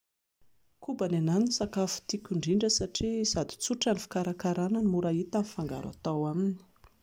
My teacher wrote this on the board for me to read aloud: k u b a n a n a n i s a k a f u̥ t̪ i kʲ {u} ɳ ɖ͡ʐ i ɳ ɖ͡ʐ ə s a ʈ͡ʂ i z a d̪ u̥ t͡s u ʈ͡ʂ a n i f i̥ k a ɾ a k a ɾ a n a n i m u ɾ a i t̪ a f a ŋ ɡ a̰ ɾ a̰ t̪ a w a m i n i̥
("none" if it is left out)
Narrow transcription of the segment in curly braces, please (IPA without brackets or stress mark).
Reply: u